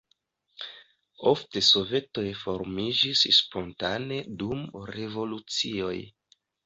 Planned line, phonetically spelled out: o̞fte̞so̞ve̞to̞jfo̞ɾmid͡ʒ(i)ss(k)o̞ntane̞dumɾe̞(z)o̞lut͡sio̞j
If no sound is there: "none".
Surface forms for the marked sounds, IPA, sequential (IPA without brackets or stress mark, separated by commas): i, p, v